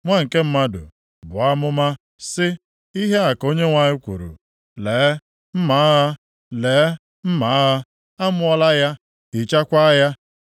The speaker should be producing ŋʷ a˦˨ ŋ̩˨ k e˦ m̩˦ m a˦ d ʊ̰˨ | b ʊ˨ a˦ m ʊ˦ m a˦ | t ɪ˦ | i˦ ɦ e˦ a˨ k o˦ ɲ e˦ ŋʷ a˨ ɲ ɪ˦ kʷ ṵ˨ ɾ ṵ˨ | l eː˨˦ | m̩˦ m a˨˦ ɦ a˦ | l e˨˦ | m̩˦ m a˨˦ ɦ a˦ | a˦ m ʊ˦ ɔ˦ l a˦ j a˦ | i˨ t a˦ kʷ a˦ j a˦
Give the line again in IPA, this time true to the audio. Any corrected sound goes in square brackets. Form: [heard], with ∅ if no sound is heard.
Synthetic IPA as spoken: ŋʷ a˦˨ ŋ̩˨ k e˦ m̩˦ m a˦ d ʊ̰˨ | b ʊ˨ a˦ m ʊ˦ m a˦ | [s] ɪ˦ | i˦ ɦ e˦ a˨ k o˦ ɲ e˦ ŋʷ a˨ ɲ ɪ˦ kʷ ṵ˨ ɾ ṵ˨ | l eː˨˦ | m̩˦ m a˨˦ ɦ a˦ | l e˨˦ | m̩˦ m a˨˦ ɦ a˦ | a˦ m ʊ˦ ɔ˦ l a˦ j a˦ | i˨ [t͡ʃ] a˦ kʷ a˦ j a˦